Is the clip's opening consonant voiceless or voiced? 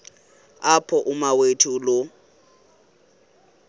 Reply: voiceless